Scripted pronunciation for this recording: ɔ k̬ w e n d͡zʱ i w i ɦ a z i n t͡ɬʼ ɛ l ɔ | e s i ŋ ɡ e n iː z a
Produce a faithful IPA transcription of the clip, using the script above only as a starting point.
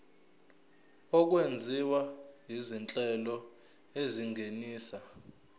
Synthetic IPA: ɔ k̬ w e n d͡zʱ i w a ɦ i z i n t͡ɬʼ ɛ l ɔ | e z i ŋ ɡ e n iː s a